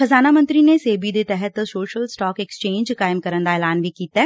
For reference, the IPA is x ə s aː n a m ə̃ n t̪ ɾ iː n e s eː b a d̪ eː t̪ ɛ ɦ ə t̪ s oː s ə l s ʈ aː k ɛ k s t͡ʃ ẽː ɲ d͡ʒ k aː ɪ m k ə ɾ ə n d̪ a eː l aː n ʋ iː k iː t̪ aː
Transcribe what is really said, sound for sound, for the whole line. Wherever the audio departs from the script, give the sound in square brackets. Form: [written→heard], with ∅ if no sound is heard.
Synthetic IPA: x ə [s→z] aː n a m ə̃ n t̪ ɾ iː n e s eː b [a→i] d̪ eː t̪ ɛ ɦ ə t̪ s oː [s→ʃ] ə l s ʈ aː k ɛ k s t͡ʃ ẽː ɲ d͡ʒ k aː ɪ m k ə ɾ ə n d̪ a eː l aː n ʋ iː k iː t̪ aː